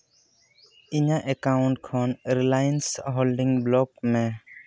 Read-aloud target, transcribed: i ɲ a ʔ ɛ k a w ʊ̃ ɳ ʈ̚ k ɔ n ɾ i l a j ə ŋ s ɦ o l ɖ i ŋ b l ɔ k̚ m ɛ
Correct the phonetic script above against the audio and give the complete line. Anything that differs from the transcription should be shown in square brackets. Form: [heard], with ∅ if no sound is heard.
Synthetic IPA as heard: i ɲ a ʔ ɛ k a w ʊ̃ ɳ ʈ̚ [kʰ] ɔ n ɾ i l a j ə [n] s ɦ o l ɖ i ŋ b l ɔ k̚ m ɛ